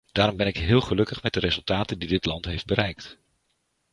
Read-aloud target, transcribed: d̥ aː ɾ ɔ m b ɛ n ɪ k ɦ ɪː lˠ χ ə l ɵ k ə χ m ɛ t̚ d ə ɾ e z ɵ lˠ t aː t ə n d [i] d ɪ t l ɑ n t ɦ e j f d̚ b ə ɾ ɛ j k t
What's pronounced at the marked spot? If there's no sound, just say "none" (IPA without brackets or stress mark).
i